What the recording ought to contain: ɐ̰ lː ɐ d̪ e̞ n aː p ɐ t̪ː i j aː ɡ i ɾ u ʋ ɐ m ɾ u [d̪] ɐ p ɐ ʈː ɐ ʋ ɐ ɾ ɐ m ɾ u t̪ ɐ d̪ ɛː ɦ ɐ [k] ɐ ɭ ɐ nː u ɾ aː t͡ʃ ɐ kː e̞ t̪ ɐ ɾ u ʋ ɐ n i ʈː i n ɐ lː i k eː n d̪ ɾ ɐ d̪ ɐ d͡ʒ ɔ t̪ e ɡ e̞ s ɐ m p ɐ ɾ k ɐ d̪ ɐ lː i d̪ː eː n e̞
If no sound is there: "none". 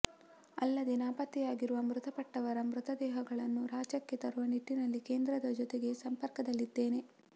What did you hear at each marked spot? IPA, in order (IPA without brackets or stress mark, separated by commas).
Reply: t̪, ɡ